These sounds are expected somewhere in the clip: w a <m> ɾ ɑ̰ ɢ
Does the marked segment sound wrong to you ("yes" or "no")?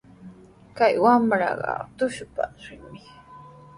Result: no